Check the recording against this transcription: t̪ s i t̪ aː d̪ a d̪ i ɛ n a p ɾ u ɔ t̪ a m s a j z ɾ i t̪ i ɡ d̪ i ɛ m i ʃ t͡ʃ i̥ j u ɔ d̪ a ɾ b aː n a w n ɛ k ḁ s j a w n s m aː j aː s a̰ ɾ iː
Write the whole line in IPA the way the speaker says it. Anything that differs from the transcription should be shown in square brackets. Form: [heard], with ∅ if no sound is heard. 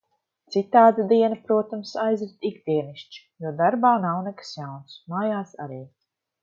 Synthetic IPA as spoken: t̪ s i t̪ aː d̪ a d̪ i ɛ n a p ɾ u ɔ t̪ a m s a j z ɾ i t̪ i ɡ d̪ i ɛ [n] i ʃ t͡ʃ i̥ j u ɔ d̪ a ɾ b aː n a w n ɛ k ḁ s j a w n s m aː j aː s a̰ ɾ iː